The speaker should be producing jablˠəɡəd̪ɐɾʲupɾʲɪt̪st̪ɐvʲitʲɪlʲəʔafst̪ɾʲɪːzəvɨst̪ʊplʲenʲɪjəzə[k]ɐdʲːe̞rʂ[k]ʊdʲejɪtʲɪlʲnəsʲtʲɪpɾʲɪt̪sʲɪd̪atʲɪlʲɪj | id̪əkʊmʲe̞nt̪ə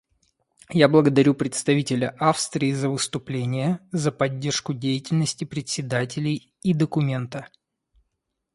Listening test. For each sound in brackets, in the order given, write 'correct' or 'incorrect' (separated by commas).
incorrect, correct